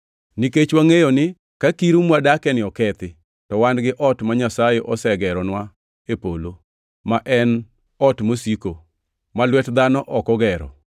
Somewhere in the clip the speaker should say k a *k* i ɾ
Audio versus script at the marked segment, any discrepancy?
no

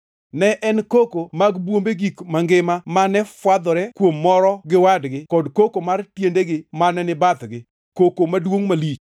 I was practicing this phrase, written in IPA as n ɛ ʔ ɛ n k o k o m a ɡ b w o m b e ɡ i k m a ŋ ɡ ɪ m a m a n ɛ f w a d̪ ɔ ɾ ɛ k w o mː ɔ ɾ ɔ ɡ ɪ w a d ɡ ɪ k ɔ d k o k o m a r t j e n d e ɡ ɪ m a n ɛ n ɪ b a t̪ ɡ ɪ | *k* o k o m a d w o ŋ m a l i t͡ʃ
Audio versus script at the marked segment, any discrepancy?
no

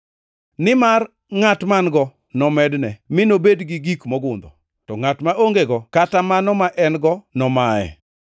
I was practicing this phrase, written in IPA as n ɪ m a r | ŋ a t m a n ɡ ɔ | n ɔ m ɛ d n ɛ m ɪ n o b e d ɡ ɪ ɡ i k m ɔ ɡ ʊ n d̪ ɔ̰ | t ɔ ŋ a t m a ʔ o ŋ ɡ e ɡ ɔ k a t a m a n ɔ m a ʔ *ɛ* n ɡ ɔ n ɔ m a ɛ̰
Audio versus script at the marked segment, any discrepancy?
no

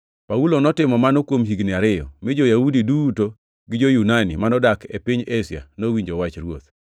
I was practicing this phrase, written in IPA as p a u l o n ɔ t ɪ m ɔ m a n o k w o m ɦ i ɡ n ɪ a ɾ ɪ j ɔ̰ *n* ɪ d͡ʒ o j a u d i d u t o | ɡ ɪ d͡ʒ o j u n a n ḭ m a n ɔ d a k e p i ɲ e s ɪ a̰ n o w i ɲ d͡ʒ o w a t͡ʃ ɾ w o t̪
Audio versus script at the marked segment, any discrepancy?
yes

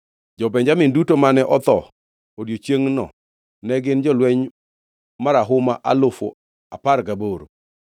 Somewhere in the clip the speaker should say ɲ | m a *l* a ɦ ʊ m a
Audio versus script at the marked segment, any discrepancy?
yes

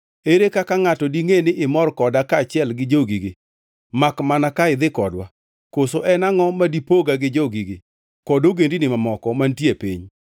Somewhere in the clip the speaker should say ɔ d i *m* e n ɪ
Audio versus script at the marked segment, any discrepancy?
yes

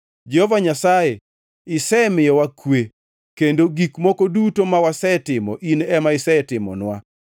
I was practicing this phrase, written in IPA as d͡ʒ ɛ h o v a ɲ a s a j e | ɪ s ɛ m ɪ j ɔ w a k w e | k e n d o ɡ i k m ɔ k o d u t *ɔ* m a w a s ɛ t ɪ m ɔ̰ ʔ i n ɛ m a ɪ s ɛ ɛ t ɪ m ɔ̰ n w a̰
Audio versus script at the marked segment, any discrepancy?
yes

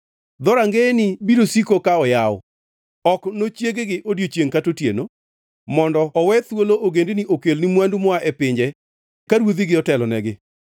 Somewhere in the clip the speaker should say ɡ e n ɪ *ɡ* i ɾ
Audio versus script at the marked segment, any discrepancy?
yes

